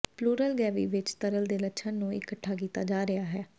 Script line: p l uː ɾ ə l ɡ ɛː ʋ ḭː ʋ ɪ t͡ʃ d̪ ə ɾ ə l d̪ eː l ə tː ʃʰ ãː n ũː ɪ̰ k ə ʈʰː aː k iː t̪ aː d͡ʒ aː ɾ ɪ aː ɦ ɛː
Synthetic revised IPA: p l uː ɾ ə l ɡ ɛː ʋ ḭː ʋ ɪ t͡ʃ t̪ ə ɾ ə l d̪ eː l ə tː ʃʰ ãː n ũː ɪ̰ k ə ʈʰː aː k iː t̪ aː d͡ʒ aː ɾ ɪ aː ɦ ɛː